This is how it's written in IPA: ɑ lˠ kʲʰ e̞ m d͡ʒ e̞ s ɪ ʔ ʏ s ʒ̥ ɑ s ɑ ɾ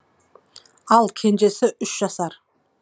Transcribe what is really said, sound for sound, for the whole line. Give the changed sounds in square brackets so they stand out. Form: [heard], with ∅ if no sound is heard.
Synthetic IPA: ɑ lˠ kʲʰ e̞ [n] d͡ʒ e̞ s ɪ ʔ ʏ [ʃ] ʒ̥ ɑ s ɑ ɾ